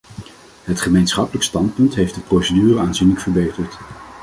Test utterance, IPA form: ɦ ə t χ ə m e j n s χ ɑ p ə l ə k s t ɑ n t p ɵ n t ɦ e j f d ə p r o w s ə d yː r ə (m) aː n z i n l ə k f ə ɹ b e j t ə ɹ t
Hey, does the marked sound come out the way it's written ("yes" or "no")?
no